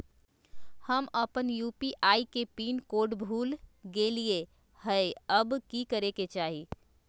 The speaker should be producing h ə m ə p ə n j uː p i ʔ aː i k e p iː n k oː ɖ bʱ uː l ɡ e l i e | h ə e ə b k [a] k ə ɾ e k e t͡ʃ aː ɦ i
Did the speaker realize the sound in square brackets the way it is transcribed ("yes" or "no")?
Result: no